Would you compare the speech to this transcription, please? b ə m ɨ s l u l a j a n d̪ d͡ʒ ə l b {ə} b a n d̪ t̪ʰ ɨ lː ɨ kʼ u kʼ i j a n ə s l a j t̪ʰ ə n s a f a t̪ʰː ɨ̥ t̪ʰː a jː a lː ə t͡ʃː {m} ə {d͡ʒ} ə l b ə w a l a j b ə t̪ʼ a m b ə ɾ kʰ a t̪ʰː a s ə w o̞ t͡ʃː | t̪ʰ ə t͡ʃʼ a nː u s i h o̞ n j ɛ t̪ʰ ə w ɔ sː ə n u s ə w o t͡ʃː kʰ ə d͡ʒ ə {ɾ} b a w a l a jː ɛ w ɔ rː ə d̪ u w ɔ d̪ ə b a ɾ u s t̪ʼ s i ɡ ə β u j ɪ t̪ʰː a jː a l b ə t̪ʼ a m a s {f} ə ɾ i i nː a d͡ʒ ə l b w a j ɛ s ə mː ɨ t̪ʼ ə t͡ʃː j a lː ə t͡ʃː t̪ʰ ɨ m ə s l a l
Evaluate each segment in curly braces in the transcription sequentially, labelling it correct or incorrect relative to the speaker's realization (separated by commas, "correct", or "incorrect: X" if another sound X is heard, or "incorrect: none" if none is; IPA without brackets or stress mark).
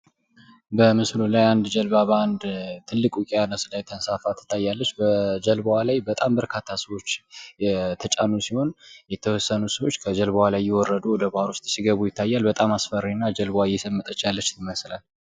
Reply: incorrect: a, incorrect: b, correct, incorrect: l, correct